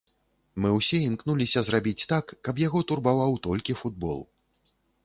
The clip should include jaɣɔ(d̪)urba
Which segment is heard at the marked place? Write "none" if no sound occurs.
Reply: t̪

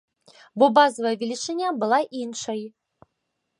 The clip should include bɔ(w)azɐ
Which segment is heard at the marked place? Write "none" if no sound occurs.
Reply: b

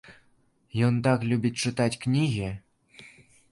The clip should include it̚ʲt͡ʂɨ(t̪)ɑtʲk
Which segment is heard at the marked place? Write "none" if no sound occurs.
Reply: t̪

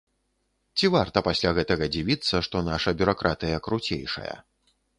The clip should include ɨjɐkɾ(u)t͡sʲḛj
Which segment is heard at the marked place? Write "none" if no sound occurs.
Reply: u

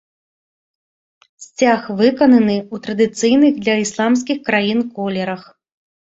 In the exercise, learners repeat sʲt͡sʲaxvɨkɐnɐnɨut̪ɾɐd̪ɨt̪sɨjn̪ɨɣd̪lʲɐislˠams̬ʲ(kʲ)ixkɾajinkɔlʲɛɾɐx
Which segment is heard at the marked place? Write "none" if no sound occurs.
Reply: kʲ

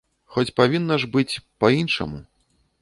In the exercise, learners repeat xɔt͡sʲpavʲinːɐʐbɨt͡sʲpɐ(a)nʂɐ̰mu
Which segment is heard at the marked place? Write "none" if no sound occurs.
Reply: i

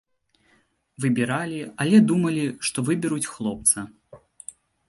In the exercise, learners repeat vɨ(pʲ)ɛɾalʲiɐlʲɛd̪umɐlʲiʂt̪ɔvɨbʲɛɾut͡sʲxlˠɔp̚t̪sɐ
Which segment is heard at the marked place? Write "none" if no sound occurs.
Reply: bʲ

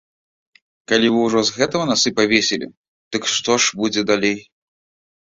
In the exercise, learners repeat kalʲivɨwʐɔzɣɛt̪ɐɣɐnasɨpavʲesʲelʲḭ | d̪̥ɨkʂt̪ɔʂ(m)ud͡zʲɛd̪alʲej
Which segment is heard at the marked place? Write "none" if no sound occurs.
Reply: b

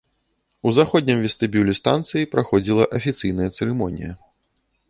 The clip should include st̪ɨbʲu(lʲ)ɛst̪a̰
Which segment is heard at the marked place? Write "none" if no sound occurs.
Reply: lʲ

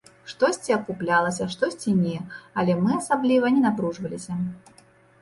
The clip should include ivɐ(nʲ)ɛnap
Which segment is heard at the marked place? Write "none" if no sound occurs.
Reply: nʲ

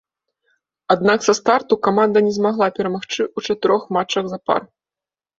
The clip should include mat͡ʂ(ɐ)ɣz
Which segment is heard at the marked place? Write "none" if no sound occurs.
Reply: ɐ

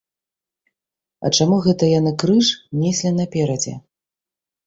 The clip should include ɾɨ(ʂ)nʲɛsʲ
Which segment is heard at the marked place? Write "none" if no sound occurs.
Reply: ʂ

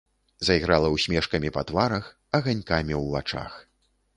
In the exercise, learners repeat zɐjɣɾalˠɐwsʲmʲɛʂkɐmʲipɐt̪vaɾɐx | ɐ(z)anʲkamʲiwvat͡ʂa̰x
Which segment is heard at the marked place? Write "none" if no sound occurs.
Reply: ɣ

